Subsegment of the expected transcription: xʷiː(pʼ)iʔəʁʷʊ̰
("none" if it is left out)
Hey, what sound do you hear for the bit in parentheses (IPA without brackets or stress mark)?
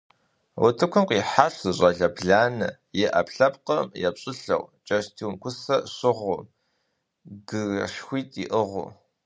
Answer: tʼ